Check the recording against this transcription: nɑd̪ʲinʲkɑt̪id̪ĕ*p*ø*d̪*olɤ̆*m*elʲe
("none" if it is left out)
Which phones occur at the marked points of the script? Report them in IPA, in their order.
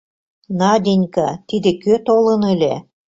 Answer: k, t̪, n

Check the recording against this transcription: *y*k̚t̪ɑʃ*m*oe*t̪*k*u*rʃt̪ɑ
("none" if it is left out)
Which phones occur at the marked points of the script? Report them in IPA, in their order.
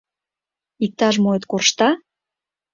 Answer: i, m, t̪, o

